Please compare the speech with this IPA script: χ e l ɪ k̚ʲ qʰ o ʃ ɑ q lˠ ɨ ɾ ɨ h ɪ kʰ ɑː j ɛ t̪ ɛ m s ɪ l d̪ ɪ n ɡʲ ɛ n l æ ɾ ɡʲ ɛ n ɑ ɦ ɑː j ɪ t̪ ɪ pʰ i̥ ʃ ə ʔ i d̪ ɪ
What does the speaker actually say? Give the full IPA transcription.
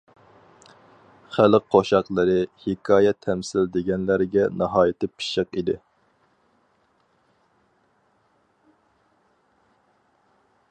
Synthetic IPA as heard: χ æ l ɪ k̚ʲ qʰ o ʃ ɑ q lˠ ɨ ɾ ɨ h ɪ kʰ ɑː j ɛ t̪ʰ ɛ m s ɪ l d̪ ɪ ɡʲ ɛ n l æ ɾ ɡʲ ɛ n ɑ ɦ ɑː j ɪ t̪ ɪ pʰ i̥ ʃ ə q i d̪ ɪ